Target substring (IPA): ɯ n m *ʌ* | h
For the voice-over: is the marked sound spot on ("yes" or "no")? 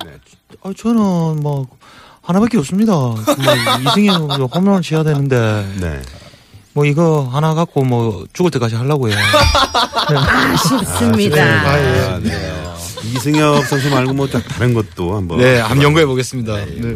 yes